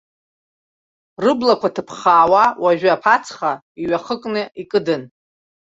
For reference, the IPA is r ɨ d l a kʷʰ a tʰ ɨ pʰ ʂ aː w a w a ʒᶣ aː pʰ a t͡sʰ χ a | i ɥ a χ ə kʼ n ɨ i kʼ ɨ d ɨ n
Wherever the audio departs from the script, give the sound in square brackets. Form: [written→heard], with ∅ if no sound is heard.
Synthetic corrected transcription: r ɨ [d→b] l a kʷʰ a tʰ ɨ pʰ [ʂ→χ] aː w a w a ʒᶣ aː pʰ a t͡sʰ χ a | i ɥ a χ ə kʼ n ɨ i kʼ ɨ d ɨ n

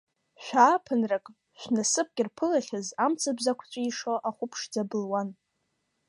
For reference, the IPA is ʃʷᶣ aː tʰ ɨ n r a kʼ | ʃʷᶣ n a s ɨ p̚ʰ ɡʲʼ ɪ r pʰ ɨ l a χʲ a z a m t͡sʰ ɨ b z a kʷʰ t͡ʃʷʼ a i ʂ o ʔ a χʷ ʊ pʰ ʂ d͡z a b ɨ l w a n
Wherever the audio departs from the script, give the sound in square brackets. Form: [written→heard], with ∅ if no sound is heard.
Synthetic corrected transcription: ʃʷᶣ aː [tʰ→pʰ] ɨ n r a kʼ | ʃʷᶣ n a s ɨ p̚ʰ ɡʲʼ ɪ r pʰ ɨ l a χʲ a z a m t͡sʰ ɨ b z a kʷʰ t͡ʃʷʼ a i ʂ o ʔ a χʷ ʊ pʰ ʂ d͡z a b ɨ l w a n

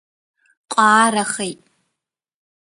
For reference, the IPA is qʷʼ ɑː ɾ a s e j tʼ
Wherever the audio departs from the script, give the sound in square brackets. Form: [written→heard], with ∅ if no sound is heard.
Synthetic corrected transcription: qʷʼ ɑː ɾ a [s→χ] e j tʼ

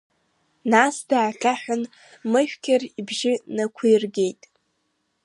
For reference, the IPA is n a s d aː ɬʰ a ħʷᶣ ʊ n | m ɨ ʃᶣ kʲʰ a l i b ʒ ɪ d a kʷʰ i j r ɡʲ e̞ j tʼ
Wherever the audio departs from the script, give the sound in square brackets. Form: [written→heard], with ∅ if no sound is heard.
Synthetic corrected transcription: n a s d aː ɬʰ a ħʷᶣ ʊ n | m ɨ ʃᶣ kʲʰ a [l→r] i b ʒ ɪ [d→n] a kʷʰ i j r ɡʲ e̞ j tʼ

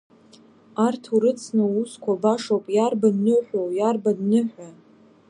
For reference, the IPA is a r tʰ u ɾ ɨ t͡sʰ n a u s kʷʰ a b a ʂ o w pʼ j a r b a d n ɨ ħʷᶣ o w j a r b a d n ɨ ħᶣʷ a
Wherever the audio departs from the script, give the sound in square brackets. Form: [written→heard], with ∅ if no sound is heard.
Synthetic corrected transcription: a r tʰ u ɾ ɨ t͡sʰ n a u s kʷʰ a b a ʂ o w pʼ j a r b a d n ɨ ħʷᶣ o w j a r b a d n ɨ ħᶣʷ a

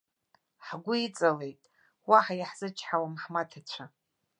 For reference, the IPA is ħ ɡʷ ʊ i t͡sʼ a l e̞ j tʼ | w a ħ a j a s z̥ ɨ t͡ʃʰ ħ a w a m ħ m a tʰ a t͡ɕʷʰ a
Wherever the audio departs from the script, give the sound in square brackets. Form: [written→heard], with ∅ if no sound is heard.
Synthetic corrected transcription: ħ ɡʷ ʊ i t͡sʼ a l e̞ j tʼ | w a ħ a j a [s→ħ] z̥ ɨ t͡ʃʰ ħ a w a m ħ m a tʰ a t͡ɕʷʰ a

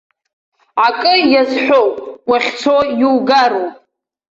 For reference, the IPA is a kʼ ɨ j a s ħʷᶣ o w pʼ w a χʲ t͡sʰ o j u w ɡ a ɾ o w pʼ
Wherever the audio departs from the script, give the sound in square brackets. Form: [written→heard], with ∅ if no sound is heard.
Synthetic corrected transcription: a kʼ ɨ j a [s→z] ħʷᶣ o w pʼ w a χʲ t͡sʰ o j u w ɡ a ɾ o w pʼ

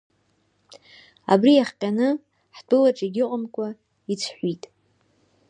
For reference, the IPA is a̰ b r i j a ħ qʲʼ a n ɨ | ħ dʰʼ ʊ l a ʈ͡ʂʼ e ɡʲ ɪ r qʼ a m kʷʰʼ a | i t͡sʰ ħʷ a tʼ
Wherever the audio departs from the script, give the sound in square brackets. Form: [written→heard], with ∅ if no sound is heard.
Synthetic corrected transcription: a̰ b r i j a [ħ→χ] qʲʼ a n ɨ | ħ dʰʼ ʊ l a ʈ͡ʂʼ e ɡʲ ɪ [r→∅] qʼ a m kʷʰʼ a | i t͡sʰ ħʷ [a→i] tʼ

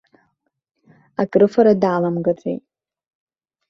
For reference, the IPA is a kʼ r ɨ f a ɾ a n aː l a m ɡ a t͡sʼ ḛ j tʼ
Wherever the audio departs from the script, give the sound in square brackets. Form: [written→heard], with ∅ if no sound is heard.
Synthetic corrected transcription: a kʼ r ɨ f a ɾ a [n→d] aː l a m ɡ a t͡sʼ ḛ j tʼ

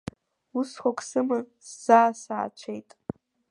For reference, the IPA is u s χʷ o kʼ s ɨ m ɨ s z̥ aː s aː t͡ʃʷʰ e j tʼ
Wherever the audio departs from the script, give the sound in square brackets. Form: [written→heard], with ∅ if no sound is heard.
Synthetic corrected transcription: u s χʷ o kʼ s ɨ m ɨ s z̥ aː s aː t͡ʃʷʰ e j tʼ

